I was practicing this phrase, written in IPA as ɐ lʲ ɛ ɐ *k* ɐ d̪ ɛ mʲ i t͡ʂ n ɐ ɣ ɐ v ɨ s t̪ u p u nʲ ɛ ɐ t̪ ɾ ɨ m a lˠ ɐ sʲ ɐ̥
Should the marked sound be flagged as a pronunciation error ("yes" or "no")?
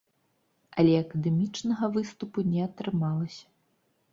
no